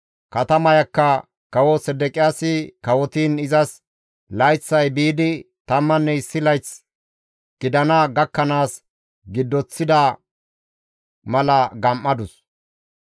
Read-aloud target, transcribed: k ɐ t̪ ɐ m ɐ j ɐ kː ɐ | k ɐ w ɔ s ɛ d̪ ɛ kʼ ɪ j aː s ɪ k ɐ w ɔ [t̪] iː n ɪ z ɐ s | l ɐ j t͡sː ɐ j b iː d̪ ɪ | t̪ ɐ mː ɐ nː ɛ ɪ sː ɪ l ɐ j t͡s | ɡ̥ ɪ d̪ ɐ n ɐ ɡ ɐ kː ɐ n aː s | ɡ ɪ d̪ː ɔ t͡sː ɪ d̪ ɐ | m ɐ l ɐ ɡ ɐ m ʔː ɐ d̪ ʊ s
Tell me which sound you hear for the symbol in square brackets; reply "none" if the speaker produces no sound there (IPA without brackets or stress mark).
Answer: t̪